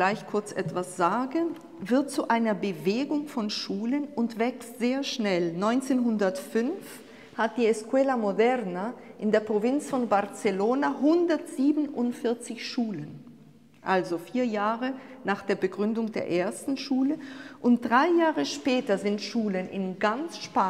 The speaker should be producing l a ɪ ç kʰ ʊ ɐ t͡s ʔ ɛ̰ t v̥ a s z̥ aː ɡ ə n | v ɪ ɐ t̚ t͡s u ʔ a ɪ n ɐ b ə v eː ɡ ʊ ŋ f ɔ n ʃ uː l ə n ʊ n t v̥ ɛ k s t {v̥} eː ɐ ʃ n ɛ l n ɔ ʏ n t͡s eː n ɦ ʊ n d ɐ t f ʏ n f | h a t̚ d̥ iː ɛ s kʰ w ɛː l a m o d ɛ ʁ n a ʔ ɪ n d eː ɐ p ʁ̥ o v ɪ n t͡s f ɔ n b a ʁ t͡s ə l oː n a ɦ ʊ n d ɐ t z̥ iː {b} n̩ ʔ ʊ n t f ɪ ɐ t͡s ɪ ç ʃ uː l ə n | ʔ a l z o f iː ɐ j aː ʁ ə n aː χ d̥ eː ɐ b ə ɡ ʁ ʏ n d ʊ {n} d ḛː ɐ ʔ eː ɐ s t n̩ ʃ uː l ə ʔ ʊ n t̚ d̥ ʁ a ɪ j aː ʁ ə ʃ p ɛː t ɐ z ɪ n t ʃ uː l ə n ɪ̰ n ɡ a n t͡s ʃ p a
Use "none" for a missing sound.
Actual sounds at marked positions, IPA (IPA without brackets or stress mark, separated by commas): z̥, b, ŋ